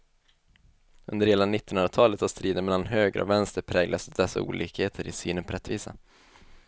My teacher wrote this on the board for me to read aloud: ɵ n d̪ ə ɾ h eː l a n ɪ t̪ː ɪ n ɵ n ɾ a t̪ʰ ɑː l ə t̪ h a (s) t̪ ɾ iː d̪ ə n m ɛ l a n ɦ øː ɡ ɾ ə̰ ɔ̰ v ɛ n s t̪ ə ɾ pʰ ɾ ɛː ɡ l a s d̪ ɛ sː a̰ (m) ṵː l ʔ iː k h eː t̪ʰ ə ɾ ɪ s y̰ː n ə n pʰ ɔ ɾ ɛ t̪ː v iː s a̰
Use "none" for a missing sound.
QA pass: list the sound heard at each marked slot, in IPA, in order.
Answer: s, none

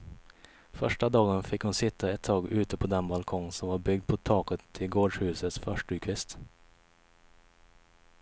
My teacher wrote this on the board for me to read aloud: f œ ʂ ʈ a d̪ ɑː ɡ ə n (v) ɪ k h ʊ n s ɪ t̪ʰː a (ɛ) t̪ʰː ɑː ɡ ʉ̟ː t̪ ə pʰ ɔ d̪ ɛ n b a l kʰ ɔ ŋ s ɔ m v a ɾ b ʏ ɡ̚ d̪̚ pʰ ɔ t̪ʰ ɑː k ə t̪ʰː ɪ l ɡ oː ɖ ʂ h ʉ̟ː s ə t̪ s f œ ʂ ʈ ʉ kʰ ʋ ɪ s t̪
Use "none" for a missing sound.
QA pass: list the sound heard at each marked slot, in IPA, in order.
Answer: f, ɛ

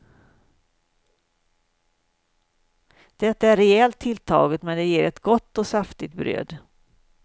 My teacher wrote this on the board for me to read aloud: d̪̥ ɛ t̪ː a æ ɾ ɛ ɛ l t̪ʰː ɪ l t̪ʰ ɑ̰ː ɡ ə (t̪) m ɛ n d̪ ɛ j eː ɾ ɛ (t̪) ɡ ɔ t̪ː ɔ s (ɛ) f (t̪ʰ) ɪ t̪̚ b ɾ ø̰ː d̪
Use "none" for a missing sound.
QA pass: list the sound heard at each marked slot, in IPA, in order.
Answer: t̪, t̪, a, t̪

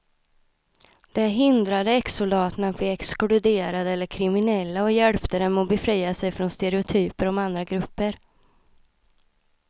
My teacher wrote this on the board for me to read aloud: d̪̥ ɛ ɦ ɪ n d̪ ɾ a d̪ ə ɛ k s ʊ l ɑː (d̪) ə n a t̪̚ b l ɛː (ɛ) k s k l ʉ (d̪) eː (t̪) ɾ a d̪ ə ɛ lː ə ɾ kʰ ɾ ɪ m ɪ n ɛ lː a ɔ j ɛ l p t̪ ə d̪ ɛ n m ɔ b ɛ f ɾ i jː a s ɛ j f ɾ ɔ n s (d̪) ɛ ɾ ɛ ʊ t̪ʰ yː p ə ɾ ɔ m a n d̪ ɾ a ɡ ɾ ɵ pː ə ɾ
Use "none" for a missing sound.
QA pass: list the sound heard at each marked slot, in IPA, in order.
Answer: t̪, ɛ, d̪, none, t̪

